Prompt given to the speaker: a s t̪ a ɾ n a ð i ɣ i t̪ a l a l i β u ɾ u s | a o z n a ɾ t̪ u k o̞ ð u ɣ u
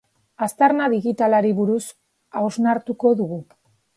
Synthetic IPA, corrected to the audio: a s t̪ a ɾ n a ð i ɣ i t̪ a l a ɾ i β u ɾ u s | a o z n a ɾ t̪ u k o̞ ð u ɣ u